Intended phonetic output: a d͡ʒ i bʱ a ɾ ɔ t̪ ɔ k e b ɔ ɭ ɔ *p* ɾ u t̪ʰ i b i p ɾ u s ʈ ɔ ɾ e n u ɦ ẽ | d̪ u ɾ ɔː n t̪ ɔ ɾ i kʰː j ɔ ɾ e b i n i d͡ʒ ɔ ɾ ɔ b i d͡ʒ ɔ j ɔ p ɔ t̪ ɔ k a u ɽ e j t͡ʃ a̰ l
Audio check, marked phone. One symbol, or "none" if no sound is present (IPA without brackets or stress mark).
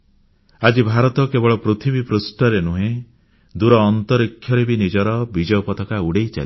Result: p